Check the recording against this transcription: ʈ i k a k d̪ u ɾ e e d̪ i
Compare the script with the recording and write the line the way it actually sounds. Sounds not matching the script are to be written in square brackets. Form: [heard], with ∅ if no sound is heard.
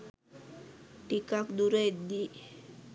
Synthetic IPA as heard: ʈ i k a k d̪ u ɾ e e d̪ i